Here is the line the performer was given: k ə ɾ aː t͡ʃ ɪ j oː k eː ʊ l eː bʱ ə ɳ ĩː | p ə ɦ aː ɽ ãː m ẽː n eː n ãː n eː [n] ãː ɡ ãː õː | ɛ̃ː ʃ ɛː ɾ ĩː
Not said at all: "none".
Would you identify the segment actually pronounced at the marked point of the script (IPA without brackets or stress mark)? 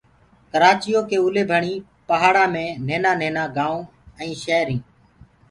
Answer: n